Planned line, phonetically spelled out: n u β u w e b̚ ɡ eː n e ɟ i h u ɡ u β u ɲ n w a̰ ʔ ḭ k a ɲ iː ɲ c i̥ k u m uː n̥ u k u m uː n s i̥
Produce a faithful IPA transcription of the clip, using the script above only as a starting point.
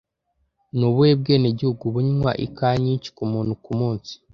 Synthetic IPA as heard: n u β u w e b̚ ɡ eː n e ɟ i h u ɡ u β u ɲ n w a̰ ʔ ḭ k a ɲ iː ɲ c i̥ k u m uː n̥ u k u m uː n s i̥